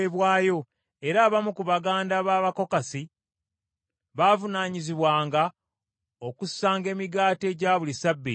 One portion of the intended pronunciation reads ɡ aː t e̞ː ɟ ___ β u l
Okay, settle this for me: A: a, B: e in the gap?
A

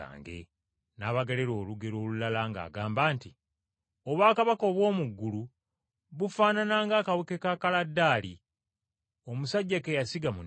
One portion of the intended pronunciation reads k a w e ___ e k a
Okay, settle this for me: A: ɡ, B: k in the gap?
B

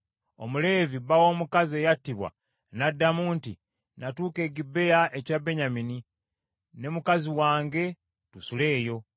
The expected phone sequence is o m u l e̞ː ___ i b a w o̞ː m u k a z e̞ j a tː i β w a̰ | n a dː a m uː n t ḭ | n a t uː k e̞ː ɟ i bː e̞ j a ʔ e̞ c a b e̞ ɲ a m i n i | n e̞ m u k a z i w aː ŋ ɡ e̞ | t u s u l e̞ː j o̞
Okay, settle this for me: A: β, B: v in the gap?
B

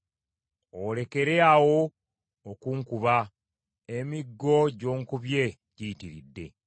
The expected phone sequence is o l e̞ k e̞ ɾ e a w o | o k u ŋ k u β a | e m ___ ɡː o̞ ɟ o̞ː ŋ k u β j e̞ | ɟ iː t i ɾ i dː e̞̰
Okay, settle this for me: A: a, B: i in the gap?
B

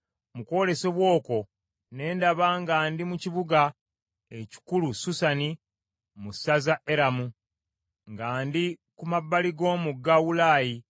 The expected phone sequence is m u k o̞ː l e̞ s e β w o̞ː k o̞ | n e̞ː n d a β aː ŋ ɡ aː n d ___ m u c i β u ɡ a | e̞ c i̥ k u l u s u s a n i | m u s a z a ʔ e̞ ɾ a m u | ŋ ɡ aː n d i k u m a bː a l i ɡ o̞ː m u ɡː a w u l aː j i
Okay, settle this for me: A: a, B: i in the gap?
B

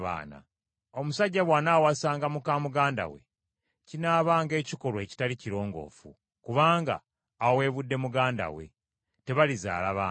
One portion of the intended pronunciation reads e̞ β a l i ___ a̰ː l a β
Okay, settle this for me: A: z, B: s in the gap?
A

